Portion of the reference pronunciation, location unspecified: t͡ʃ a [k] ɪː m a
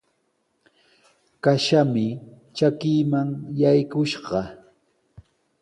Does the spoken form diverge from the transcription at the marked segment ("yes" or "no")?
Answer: no